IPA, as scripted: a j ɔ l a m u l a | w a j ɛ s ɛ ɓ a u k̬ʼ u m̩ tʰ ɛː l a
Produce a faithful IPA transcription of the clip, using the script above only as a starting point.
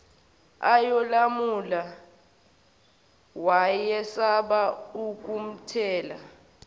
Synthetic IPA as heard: a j ɔ l a m u l a | w a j ɛ s a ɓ a u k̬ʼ u m̩ tʰ ɛː l a

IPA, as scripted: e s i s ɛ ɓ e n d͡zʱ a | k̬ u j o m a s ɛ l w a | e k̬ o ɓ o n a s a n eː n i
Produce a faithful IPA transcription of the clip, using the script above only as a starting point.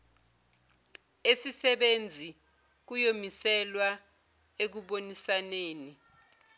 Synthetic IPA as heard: e s i s ɛ ɓ e n d͡zʱ i | k̬ u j o m i s ɛ l w a | e k̬ u ɓ o n i s a n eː n i

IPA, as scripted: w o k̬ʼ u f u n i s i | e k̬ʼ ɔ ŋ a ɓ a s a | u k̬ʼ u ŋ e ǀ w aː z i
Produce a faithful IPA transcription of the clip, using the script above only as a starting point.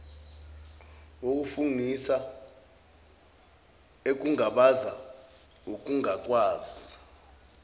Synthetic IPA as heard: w o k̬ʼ u f u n i s a | e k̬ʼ u ŋ a ɓ a z a | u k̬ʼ u ŋ a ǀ w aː z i

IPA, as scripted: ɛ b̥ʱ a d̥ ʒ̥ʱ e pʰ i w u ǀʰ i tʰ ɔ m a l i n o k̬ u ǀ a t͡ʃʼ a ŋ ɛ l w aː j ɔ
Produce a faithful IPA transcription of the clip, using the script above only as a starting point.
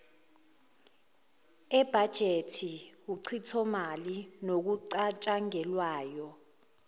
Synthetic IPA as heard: ɛ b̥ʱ a d̥ ʒ̥ʱ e tʰ i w u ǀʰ i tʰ ɔ m a l i n o k̬ u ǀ a t͡ʃʼ a ŋ ɛ l w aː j ɔ

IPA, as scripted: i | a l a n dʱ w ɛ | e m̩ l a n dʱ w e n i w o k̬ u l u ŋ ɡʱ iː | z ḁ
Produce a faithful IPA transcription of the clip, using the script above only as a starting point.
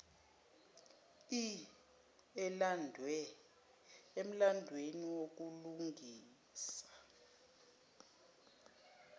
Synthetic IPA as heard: i | ɛ l a n dʱ w ɛ | e m̩ l a n dʱ w e n i w o k̬ u l u ŋ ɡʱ iː | s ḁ

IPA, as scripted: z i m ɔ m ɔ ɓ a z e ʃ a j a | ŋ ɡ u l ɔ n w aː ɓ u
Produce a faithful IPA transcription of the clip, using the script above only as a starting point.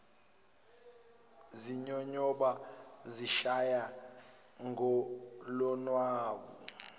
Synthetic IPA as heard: z i ɲ ɔ ɲ ɔ ɓ a z i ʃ a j a | ŋ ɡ ɔ l ɔ n w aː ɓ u

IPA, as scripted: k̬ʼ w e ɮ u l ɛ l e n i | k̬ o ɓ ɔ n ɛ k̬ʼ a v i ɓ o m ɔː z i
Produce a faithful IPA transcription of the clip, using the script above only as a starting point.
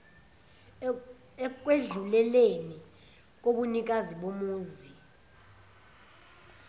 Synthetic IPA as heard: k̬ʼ w e ɮ u l ɛ l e n i | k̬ o ɓ u n i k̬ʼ a z i ɓ o m uː z i

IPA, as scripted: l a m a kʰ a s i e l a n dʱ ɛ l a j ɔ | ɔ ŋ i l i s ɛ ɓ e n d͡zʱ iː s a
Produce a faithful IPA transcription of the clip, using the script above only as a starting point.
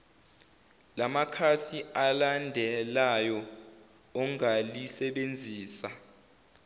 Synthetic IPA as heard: l a m a kʰ a s i a l a n dʱ ɛ l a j ɔ | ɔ ŋ a l i s ɛ ɓ e n d͡zʱ iː s a

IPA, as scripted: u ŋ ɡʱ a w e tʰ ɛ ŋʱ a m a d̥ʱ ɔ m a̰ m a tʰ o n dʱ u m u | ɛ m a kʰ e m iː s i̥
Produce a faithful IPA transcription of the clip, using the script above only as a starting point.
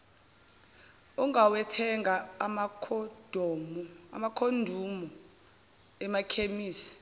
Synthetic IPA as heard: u ŋ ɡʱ a w ɛ tʰ ɛ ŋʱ a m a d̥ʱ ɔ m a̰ m a kʰ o n dʱ u m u | ɛ m a kʰ e m iː s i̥

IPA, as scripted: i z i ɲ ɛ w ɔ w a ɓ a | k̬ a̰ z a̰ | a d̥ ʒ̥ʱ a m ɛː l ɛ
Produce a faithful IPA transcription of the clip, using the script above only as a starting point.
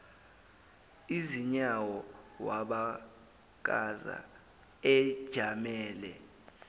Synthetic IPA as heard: i z i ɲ a w ɔ w a ɓ a | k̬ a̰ z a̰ | ɛ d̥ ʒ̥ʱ a m ɛː l ɛ

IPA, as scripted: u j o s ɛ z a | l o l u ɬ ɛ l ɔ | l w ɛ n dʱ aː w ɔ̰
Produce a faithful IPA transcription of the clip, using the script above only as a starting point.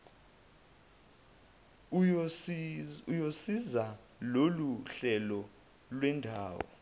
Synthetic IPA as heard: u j o s i z a | l o l u ɬ ɛ l ɔ | l w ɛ n dʱ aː w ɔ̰

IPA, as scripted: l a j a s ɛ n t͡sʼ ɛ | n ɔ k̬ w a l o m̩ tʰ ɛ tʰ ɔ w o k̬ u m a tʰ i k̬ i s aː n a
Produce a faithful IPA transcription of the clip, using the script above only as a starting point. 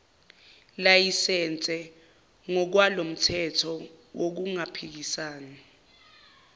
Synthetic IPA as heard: l a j i s ɛ n t͡sʼ ɛ | ŋ ɔ k̬ w a l o m̩ tʰ ɛ tʰ ɔ w o k̬ u ŋ a pʰ i k̬ i s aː n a

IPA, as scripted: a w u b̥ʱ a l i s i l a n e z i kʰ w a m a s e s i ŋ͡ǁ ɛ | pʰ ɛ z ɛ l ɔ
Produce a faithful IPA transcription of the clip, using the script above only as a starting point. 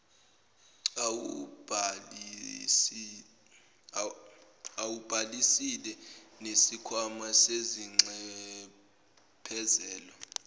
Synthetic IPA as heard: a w u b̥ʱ a l i s i l ɛ n e s i kʰ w a m a s e z i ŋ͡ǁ ɛ | pʰ ɛ z ɛː l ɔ

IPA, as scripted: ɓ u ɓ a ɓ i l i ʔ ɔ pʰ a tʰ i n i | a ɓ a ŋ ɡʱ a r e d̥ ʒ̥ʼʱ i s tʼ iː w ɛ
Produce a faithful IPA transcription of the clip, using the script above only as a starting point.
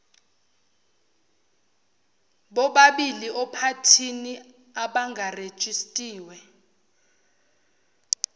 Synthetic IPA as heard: ɓ ɔ ɓ a ɓ i l i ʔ ɔ pʰ a tʰ i n i | a ɓ a ŋ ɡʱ a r e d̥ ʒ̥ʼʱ i s tʼ iː w ɛ

